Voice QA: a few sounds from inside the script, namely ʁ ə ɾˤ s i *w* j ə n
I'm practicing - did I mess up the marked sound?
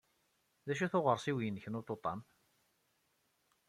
no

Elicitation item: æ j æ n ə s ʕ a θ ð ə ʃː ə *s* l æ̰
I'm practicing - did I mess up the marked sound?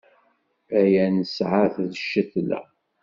yes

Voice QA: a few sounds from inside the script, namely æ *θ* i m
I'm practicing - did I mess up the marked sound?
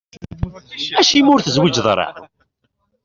yes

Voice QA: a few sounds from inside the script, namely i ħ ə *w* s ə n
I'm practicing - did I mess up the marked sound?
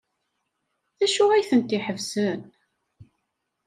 yes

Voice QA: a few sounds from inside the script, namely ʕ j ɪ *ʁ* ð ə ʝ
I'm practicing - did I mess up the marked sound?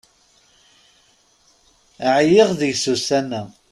no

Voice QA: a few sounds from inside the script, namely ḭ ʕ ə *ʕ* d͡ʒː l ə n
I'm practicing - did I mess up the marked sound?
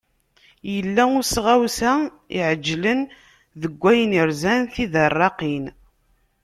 yes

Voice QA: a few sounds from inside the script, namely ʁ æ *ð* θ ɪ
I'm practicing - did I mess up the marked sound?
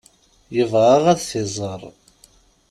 no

